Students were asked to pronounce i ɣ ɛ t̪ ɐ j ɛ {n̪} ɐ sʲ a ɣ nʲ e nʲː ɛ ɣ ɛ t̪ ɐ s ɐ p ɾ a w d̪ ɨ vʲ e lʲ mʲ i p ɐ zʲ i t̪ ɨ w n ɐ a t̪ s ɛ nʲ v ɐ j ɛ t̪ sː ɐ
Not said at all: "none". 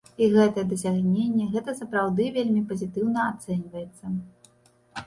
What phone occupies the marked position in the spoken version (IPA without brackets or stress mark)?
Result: d̪